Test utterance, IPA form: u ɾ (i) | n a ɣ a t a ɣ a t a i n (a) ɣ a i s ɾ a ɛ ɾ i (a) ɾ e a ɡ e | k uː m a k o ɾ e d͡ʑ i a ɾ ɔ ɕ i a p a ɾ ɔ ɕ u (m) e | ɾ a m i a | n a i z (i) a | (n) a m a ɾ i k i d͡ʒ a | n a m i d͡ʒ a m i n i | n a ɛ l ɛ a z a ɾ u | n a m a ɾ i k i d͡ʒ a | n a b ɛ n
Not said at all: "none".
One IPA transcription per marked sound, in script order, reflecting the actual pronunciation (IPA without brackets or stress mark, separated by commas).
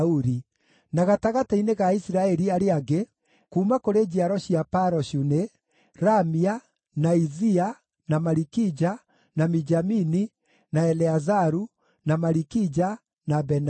i, e, a, n, i, n